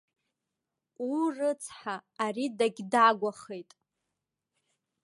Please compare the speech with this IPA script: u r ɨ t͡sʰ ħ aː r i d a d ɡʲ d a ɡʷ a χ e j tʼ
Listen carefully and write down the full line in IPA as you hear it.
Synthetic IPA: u r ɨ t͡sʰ ħ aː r i d a ɡʲ d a ɡʷ a χ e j tʼ